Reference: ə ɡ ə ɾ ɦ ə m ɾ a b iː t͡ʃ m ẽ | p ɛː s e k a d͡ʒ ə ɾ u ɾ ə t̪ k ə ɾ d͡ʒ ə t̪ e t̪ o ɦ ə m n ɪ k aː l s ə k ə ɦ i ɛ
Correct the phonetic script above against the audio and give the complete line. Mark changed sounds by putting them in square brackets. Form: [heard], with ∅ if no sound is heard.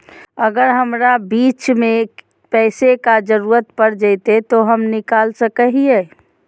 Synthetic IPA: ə ɡ ə ɾ ɦ ə m ɾ a b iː t͡ʃ m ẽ | p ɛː s e k a d͡ʒ ə ɾ u ɾ ə t̪ [p] ə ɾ d͡ʒ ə t̪ e t̪ o ɦ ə m n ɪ k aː l s ə k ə ɦ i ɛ